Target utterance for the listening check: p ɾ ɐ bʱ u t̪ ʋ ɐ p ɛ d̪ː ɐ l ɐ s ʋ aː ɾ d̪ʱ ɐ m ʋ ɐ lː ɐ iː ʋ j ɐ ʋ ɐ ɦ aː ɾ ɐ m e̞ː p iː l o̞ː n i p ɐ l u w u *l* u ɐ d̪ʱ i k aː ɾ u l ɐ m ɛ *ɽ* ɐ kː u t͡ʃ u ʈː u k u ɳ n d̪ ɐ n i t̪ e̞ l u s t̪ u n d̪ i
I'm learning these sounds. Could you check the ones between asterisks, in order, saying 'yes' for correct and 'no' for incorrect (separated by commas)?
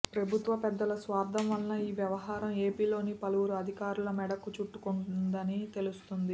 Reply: no, yes